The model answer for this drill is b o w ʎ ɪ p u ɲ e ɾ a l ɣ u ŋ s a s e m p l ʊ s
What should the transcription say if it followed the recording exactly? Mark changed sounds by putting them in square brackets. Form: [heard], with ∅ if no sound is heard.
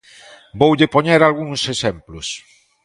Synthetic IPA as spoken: b o w ʎ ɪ p [o] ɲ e ɾ a l ɣ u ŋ s [e] s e m p l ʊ s